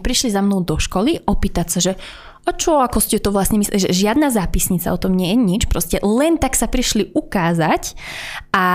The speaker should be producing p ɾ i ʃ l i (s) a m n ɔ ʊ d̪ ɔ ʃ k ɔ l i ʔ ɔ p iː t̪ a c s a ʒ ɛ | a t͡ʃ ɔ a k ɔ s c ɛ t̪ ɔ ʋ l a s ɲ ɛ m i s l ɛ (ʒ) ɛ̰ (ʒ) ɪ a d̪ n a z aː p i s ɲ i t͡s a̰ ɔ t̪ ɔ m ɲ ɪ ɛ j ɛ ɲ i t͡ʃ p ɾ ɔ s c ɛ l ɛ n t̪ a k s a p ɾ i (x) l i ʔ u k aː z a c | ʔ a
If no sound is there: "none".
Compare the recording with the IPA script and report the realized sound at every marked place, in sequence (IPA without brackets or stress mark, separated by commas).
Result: z, ʒ, ʒ, ʃ